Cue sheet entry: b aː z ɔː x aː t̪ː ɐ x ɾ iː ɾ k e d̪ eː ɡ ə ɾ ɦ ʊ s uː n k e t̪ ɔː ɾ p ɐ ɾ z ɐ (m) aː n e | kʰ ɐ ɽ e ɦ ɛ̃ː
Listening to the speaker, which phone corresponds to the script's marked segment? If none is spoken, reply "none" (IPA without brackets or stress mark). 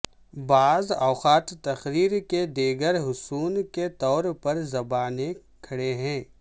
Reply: b